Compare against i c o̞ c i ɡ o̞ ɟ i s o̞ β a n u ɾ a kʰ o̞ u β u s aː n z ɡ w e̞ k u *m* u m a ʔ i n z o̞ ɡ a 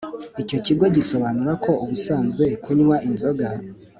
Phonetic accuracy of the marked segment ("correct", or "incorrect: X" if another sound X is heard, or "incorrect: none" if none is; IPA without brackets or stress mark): incorrect: ɲ